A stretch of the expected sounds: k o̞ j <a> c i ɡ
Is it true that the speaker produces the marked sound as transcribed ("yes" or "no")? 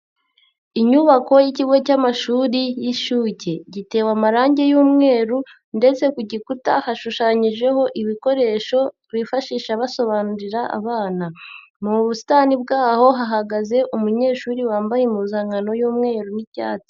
no